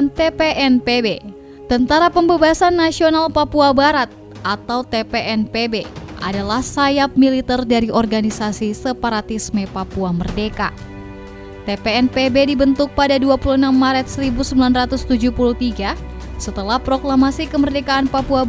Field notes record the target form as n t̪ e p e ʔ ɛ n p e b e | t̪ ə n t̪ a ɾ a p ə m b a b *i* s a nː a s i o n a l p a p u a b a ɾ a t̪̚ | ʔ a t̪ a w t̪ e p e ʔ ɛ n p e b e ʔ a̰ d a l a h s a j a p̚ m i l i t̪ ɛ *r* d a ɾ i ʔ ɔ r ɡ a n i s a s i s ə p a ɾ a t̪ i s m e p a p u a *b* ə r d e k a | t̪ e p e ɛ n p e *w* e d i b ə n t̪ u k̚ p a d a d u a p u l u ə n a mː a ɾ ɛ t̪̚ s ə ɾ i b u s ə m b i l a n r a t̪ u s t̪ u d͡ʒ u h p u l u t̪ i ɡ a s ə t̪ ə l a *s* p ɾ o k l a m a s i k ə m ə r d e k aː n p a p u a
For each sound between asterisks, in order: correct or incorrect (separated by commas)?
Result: incorrect, correct, incorrect, incorrect, incorrect